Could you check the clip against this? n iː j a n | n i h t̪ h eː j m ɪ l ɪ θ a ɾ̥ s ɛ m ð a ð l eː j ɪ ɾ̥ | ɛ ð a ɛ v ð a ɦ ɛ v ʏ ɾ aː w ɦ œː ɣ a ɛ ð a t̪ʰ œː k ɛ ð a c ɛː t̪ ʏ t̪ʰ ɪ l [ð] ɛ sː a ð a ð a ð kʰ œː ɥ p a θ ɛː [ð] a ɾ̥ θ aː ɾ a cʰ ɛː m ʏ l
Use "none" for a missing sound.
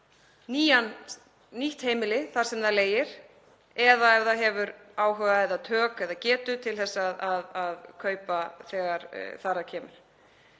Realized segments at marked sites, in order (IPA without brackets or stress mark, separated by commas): θ, ɣ